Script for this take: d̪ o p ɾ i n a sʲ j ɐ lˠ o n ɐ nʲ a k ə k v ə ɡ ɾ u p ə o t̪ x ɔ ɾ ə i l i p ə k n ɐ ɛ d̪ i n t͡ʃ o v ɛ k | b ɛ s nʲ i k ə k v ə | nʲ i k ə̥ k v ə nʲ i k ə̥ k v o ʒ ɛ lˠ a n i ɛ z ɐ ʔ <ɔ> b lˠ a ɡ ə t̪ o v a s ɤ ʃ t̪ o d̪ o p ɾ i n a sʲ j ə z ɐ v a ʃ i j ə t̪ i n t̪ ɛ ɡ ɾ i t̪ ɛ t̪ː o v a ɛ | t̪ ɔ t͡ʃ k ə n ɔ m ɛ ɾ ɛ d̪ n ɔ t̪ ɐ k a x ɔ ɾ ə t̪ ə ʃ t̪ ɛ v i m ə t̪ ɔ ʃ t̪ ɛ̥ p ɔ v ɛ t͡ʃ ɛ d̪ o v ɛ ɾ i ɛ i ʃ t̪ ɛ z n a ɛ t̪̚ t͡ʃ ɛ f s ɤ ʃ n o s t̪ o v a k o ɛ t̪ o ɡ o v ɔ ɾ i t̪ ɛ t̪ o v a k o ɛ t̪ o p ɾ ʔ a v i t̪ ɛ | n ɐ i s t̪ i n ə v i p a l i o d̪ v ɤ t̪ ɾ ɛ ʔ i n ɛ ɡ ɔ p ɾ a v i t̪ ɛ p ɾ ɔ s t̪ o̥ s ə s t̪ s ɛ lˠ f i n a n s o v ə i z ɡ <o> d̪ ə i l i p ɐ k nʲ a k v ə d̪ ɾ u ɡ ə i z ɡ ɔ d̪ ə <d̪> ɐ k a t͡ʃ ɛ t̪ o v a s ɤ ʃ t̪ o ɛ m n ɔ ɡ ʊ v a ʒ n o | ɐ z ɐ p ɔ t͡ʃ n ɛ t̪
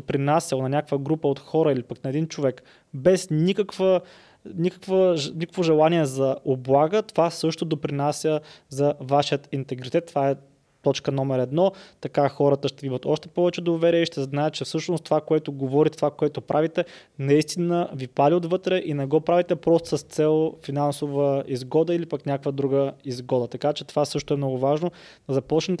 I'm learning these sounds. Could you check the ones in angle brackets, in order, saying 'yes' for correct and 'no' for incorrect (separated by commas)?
no, no, no